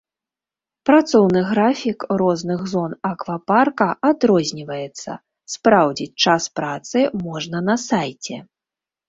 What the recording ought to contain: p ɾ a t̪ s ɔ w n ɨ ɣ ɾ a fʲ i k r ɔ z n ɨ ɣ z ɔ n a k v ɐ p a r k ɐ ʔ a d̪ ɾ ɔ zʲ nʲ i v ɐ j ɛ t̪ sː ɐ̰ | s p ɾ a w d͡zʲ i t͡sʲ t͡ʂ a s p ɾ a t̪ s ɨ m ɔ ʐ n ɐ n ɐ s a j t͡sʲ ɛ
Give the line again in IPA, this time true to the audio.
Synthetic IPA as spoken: p ɾ a t̪ s ɔ w n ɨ ɣ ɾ a fʲ i k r ɔ z n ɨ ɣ z ɔ n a k v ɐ p a r k ɐ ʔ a d̪ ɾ ɔ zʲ nʲ i v ɐ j ɛ t̪ sː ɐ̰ | s p ɾ a w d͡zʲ i t͡sʲ t͡ʂ a s p ɾ a t̪ s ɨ m ɔ ʐ n ɐ n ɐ s a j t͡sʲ ɛ